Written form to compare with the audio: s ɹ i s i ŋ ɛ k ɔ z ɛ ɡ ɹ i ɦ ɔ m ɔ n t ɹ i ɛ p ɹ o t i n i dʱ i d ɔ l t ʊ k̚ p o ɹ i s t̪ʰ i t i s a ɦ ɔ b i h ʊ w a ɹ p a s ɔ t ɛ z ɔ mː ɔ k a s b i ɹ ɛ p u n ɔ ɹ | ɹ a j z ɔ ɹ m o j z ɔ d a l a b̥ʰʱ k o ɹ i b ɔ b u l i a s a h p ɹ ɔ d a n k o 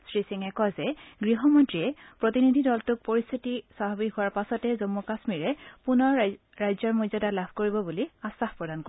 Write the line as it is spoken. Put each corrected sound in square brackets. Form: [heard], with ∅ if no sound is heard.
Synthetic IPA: s ɹ i s i ŋ ɛ k ɔ z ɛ ɡ ɹ i ɦ ɔ m ɔ n t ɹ i ɛ p ɹ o t i n i dʱ i d ɔ l t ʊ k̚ p o ɹ i s t̪ʰ i t i s a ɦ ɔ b i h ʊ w a ɹ p a s ɔ t ɛ z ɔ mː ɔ k a s [m] i ɹ ɛ p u n ɔ ɹ | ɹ a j z ɔ ɹ m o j z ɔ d a l a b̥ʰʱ k o ɹ i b ɔ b u l i a s a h p ɹ ɔ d a n k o

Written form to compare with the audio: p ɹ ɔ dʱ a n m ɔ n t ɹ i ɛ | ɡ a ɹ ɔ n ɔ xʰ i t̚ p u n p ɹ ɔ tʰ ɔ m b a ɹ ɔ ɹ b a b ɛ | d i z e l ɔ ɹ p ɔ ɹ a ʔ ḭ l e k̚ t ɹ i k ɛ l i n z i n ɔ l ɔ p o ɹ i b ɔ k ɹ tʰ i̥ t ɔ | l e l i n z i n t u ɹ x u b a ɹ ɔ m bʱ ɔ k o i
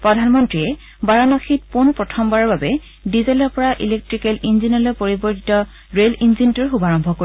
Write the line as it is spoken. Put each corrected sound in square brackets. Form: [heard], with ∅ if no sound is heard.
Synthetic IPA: p ɹ ɔ dʱ a n m ɔ n t ɹ i ɛ | [b] a ɹ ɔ n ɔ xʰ i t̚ p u n p ɹ ɔ tʰ ɔ m b a ɹ ɔ ɹ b a b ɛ | d i z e l ɔ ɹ p ɔ ɹ a ʔ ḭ l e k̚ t ɹ i k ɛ l i n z i n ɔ l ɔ p o ɹ i b ɔ [∅] ɹ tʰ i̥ t ɔ | [ɹ] e l i n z i n t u ɹ x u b a ɹ ɔ m bʱ ɔ k o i

